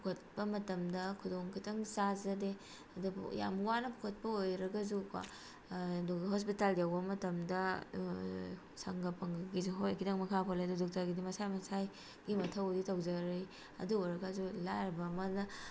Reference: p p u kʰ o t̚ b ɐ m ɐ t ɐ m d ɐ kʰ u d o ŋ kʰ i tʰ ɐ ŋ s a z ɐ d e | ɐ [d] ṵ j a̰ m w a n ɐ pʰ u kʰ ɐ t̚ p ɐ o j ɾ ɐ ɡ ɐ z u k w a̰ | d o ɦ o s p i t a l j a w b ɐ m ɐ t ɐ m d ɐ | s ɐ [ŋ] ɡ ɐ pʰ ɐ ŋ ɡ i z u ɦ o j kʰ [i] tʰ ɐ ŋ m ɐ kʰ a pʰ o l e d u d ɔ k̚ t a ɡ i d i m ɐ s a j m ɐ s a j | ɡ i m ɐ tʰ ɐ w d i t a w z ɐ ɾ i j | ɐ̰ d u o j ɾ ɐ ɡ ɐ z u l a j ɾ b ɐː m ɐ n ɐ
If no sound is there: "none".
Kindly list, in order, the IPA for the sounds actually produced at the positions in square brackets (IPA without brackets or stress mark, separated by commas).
d, ŋ, i